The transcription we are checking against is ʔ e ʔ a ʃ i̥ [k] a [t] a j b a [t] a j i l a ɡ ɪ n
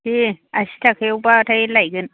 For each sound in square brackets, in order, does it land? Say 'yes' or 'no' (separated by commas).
no, no, yes